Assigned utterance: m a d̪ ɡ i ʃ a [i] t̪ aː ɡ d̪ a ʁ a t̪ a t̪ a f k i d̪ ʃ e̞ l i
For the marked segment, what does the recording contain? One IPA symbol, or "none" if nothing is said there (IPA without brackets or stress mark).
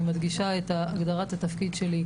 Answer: e